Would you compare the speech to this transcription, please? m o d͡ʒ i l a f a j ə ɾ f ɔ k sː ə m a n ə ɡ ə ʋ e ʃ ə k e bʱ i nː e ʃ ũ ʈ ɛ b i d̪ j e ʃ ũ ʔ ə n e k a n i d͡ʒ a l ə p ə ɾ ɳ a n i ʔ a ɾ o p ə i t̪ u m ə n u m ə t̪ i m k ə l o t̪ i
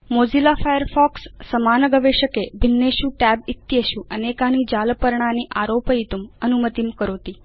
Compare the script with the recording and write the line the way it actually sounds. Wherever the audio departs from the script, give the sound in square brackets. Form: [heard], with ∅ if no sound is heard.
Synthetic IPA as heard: m o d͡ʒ i l a f a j ə ɾ f ɔ k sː ə m a n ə ɡ ə ʋ e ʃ ə k e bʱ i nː e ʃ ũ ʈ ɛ b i [t̪] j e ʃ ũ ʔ ə n e k a n i d͡ʒ a l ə p ə ɾ ɳ a n i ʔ a ɾ o p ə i t̪ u m ə n u m ə t̪ i m k ə [ɾ] o t̪ i